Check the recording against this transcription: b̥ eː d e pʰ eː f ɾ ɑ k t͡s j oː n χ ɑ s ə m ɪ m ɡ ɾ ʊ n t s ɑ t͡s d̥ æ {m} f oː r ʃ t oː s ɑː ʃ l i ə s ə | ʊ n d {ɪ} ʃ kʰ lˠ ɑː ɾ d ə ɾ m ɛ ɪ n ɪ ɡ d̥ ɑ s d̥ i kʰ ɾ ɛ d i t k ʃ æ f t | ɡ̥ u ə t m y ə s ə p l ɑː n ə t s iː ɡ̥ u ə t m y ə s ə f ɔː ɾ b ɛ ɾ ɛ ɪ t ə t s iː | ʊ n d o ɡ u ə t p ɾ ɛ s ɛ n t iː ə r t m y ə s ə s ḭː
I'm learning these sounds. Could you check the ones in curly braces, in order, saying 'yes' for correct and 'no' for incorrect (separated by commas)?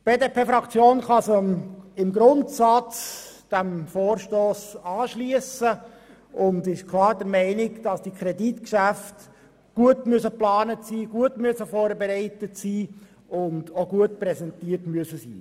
yes, yes